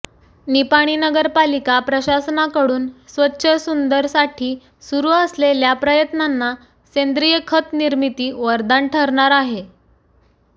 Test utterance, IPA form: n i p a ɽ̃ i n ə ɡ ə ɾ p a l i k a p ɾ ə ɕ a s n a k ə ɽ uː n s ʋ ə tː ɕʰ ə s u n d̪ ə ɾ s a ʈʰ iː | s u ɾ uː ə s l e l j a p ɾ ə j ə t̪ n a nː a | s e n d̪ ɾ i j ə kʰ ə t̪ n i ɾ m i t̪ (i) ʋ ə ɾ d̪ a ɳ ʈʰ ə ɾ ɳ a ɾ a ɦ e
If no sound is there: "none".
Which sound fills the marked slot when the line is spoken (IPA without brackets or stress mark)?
iː